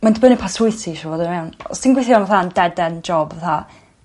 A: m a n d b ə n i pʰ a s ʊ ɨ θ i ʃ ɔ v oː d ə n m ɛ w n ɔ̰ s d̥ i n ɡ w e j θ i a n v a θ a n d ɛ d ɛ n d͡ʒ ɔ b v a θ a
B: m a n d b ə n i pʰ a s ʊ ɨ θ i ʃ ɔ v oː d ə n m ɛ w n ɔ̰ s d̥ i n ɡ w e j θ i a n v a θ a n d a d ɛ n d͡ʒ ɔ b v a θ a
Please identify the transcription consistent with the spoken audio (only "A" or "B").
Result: A